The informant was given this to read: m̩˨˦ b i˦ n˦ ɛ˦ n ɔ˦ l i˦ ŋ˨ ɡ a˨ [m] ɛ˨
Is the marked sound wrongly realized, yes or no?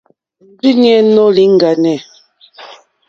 yes